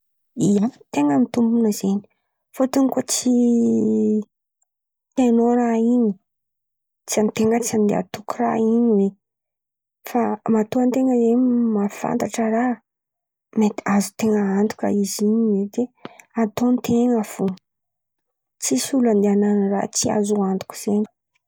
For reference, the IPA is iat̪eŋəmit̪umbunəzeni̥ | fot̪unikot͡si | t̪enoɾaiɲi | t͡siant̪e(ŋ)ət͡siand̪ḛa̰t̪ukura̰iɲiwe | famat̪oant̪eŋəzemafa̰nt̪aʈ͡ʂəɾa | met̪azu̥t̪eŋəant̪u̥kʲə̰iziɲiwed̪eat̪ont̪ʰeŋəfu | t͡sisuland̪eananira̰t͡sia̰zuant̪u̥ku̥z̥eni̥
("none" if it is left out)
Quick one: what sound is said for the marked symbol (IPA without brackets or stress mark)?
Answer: ŋ